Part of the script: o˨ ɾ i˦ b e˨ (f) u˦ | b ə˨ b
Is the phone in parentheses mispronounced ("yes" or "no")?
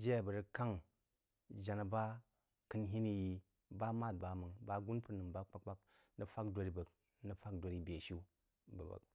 yes